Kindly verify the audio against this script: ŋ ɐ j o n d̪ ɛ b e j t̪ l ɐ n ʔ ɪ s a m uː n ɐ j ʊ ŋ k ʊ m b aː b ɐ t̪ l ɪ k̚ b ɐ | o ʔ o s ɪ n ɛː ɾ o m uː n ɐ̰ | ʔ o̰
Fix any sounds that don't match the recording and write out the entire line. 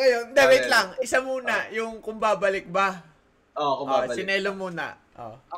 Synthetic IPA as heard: ŋ ɐ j o n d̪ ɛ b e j t̪ l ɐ ŋ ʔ ɪ s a m uː n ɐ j ʊ ŋ k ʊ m b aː b ɐ l ɪ k̚ b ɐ | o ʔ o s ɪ n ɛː l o m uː n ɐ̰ | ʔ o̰